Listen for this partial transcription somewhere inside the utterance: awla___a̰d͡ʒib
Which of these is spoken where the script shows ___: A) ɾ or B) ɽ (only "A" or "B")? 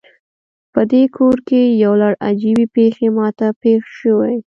B